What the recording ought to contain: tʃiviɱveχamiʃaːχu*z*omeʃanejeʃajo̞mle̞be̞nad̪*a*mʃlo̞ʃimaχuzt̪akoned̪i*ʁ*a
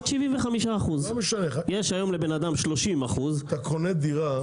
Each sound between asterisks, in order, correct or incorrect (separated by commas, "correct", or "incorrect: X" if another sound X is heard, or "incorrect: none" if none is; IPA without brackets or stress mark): correct, correct, correct